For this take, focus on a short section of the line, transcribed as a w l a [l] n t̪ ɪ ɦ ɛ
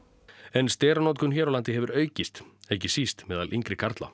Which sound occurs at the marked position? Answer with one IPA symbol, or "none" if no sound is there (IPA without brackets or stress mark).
none